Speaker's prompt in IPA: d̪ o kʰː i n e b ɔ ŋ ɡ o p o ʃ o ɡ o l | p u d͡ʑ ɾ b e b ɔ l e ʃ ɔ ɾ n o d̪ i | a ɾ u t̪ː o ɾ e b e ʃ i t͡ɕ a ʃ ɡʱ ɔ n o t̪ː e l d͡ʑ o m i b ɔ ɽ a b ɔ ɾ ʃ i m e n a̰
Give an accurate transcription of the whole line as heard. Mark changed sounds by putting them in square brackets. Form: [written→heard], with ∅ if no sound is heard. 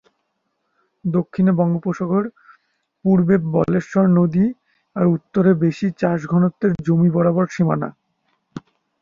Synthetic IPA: d̪ o kʰː i n e b ɔ ŋ ɡ o p o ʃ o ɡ o [l→ɾ] | p u [d͡ʑ→∅] ɾ b e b ɔ l e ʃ ɔ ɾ n o d̪ i | a ɾ u t̪ː o ɾ e b e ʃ i t͡ɕ a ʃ ɡʱ ɔ n o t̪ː e [l→ɾ] d͡ʑ o m i b ɔ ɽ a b ɔ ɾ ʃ i m [e→a] n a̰

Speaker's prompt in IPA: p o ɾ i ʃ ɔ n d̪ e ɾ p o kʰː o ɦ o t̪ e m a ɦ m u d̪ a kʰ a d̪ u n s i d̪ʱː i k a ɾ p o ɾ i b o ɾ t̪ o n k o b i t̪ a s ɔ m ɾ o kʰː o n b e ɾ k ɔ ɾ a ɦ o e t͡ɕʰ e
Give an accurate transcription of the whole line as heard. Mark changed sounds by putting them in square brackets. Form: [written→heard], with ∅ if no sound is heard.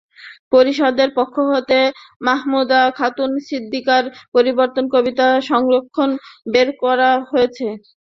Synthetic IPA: p o ɾ i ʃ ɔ [n→∅] d̪ e ɾ p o kʰː o ɦ o t̪ e m a ɦ m u d̪ a kʰ a [d̪→t̪] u n s i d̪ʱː i k a ɾ p o ɾ i b o ɾ t̪ o n k o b i t̪ a [s→ʃ] ɔ [m→ŋ] ɾ o kʰː o n b e ɾ k ɔ ɾ a ɦ o e t͡ɕʰ e

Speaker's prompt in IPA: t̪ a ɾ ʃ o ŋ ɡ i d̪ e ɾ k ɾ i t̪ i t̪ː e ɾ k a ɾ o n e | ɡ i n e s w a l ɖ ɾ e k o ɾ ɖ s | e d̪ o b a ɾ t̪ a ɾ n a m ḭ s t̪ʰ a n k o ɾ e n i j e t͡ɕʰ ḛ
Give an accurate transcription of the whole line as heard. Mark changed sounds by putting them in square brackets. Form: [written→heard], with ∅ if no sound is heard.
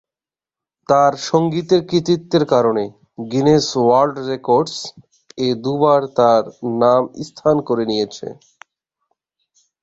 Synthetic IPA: t̪ a ɾ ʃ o ŋ ɡ i [d̪→t̪] e ɾ k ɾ i t̪ i t̪ː e ɾ k a ɾ o n e | ɡ i n e s w a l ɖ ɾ e k o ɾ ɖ s | e d̪ [o→u] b a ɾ t̪ a ɾ n a m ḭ s t̪ʰ a n k o ɾ e n i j e t͡ɕʰ ḛ

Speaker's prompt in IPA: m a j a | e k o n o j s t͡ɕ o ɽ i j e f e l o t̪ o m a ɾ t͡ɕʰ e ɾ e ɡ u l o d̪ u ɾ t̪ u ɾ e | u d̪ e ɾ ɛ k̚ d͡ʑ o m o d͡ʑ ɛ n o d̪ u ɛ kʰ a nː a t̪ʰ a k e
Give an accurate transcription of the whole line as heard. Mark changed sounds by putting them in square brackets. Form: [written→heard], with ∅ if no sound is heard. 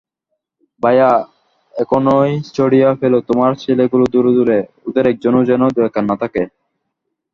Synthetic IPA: [m→b] a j a | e k o n o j s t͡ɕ o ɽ i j [e→a] f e l o t̪ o m a ɾ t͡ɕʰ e [ɾ→l] e ɡ u l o d̪ u ɾ [t̪→d̪] u ɾ e | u d̪ e ɾ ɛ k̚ d͡ʑ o [m→n] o d͡ʑ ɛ n o d̪ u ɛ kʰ a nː a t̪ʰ a k e

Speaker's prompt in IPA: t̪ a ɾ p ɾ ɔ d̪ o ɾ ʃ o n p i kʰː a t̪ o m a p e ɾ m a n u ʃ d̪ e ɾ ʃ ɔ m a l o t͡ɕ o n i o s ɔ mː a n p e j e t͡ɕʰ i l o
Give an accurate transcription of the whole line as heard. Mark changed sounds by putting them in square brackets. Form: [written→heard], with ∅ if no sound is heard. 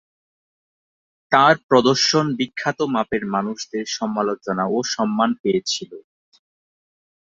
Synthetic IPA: t̪ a ɾ p ɾ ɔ d̪ o ɾ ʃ o n [p→b] i kʰː a t̪ o m a p e ɾ m a n u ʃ d̪ e ɾ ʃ ɔ m a l o t͡ɕ o n [i→a] o [s→ʃ] ɔ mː a n p e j e t͡ɕʰ i l o

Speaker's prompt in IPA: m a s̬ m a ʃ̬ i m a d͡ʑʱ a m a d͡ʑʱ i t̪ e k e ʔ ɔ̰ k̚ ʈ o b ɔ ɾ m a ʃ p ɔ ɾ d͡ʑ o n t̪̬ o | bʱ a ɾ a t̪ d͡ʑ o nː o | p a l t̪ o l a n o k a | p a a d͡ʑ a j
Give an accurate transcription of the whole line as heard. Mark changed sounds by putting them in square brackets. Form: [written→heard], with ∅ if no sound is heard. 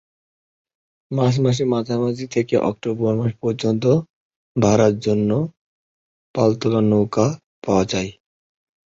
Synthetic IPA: m a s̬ m a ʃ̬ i m a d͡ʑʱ a m a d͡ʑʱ i [t̪→t̪ʰ] e k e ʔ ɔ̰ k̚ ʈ o b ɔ ɾ m a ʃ p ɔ ɾ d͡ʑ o n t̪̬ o | bʱ a ɾ a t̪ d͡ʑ o nː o | p a l t̪ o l a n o k a | p a a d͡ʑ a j

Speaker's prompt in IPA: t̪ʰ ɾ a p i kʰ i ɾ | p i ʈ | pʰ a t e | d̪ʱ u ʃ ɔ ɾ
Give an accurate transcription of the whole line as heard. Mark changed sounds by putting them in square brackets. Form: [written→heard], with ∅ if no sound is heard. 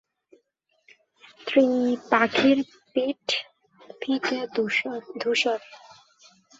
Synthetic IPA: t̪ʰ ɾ [a→i] p [i→a] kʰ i ɾ | p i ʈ | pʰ [a→i] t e | d̪ʱ u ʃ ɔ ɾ

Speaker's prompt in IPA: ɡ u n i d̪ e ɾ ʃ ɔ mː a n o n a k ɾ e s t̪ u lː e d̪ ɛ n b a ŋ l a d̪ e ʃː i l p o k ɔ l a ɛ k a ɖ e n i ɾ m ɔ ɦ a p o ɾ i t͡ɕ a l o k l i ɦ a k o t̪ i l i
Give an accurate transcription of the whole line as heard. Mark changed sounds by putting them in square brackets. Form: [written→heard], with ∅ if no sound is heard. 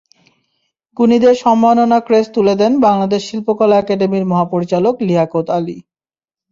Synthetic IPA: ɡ u n i d̪ e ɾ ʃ ɔ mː a n o n a k ɾ e s t̪ u [lː→l] e d̪ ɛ n b a ŋ l a d̪ e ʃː i l p o k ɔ l a ɛ k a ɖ e [n→m] i ɾ m ɔ ɦ a p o ɾ i t͡ɕ a l o k l i ɦ a k o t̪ [i→a] l i

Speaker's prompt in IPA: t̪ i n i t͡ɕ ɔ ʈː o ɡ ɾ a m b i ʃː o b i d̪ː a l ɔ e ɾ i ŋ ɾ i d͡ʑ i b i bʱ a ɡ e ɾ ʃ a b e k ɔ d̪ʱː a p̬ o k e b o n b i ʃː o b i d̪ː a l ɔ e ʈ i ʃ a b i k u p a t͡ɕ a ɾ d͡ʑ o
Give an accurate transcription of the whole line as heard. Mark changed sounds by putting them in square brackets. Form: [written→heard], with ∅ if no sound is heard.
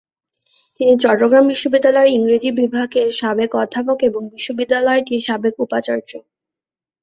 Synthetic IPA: t̪ i n i t͡ɕ ɔ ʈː o ɡ ɾ a m b i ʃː o b i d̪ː a l ɔ e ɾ i ŋ ɾ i d͡ʑ i b i bʱ a ɡ e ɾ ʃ a b e k ɔ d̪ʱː a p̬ o k e b o [n→ŋ] b i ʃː o b i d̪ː a l ɔ e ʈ i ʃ a b [i→e] k u p a t͡ɕ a ɾ d͡ʑ o

